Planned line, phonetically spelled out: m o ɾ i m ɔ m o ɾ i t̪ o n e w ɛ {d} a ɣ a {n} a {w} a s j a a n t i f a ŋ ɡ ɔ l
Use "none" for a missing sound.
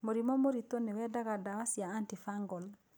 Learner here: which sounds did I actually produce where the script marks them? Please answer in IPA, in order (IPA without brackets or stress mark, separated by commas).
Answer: d, d, w